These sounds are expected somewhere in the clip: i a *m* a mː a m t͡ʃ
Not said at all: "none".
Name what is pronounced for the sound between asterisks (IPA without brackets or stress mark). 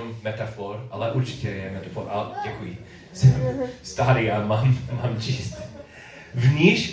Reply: m